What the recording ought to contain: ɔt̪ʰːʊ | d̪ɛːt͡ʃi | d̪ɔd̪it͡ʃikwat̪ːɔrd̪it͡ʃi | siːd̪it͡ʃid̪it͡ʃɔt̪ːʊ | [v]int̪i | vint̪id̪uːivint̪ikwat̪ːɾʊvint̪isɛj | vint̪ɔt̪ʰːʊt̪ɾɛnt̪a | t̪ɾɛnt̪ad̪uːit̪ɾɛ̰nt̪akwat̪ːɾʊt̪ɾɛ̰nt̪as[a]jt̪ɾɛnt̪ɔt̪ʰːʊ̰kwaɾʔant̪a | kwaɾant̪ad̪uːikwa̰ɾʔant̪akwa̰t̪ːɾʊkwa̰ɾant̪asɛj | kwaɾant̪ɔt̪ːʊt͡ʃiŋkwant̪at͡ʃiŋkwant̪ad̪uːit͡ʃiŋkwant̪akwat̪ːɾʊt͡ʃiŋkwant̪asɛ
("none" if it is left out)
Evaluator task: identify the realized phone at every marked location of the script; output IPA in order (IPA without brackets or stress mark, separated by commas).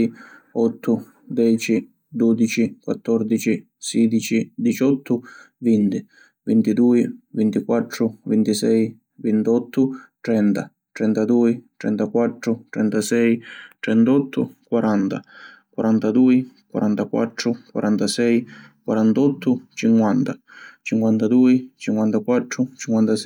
v, ɛ